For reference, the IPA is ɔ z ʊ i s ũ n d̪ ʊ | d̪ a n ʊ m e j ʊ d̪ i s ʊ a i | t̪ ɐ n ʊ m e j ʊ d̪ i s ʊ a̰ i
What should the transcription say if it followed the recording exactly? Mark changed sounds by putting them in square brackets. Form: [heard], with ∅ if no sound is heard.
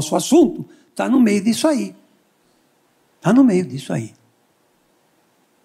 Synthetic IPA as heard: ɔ [s] ʊ [a] s ũ n [t̪] ʊ | [t̪] a n ʊ m e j ʊ d̪ i s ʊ a i | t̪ [a] n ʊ m e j ʊ d̪ i s ʊ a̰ i